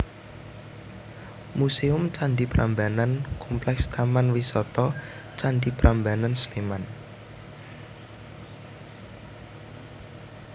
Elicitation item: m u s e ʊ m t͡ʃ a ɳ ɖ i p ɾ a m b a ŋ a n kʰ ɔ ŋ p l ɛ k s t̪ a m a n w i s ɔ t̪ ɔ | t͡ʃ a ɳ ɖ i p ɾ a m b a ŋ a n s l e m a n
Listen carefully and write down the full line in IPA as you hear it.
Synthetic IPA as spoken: m u s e ʊ m t͡ʃ a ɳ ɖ i p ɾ a m b a n a n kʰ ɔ m p l ɛ k s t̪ a m a n w i s ɔ t̪ ɔ | t͡ʃ a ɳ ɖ i p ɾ a m b a n a n s l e m a n